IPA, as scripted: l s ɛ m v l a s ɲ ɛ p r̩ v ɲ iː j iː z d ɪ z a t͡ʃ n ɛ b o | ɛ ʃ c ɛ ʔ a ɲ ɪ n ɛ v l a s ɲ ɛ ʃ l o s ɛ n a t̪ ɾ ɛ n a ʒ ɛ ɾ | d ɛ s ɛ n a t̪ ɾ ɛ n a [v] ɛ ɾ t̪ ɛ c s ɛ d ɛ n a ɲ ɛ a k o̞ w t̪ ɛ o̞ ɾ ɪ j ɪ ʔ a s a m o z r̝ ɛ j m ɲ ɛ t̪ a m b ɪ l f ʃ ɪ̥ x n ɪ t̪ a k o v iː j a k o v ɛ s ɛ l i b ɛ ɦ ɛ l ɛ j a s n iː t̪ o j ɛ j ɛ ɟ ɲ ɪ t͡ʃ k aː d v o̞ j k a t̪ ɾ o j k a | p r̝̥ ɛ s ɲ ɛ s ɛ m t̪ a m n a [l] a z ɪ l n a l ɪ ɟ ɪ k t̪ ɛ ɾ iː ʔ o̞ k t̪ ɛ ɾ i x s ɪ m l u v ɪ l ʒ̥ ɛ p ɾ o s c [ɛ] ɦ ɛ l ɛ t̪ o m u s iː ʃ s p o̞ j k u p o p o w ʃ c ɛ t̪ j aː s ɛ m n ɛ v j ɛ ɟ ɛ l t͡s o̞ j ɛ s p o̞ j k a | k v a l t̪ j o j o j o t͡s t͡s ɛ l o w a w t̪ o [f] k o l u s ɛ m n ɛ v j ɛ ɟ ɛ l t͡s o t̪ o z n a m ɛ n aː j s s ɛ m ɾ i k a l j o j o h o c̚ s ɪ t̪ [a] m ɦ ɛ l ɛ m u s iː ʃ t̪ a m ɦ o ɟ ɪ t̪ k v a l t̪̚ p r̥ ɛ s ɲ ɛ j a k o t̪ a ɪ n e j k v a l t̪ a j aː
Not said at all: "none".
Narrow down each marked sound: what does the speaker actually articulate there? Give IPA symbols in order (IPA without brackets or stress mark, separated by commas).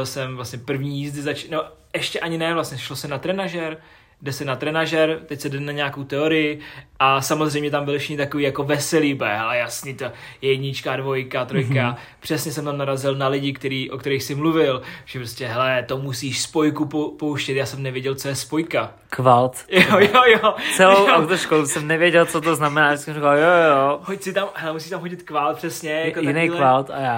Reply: ʒ, ɾ, ɛ, ʃ, a